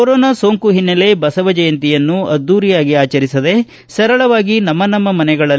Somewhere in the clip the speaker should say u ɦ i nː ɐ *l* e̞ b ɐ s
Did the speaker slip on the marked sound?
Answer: no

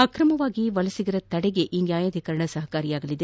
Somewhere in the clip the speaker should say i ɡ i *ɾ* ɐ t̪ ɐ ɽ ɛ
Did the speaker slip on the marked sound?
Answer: no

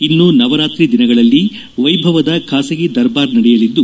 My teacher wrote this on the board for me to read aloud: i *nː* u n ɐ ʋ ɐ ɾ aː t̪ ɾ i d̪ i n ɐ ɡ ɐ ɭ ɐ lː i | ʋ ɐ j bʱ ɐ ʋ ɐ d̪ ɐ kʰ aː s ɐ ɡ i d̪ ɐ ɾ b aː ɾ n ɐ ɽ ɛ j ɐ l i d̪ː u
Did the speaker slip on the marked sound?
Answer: no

